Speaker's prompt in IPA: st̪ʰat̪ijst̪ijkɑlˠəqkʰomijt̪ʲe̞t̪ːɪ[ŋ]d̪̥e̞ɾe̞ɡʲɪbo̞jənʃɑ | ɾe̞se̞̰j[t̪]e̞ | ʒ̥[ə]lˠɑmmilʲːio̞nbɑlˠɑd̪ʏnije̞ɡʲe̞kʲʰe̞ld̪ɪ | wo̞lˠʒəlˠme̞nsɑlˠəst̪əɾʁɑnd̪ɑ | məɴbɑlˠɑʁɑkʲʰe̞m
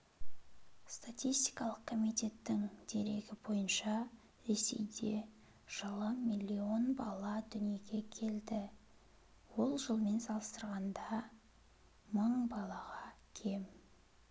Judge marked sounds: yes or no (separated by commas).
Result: yes, no, no